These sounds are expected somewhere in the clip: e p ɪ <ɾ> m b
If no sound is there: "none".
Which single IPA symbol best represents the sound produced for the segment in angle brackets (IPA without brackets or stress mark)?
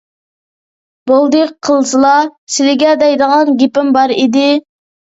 none